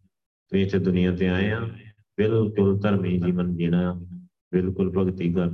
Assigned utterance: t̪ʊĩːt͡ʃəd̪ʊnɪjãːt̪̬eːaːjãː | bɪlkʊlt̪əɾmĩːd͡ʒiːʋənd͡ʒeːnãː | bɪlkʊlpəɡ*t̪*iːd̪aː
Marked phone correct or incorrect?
correct